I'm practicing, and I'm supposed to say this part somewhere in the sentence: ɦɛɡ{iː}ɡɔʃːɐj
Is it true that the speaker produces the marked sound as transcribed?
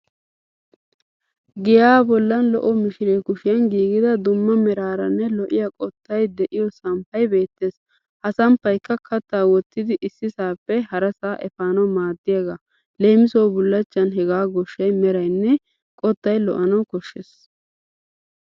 no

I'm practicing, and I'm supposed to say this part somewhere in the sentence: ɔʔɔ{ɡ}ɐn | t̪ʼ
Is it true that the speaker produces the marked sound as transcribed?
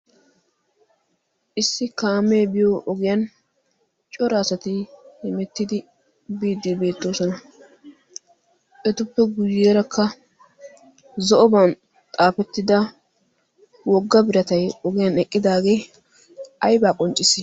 no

